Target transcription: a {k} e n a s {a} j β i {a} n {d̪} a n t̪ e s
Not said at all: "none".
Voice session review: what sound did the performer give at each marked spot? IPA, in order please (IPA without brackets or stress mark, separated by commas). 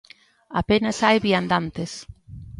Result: p, a, a, d̪